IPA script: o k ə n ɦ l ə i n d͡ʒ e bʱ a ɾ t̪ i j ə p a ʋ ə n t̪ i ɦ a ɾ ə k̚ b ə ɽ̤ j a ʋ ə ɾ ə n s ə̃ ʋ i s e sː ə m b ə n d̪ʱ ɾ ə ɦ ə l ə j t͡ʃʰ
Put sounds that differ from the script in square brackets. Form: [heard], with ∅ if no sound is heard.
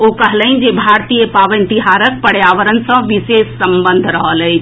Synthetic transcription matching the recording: o k ə [∅] ɦ l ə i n d͡ʒ e bʱ a ɾ t̪ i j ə p a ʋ ə n t̪ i ɦ a ɾ ə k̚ [p] ə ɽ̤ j a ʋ ə ɾ ə n s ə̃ ʋ i s e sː ə m b ə n d̪ʱ ɾ ə ɦ ə l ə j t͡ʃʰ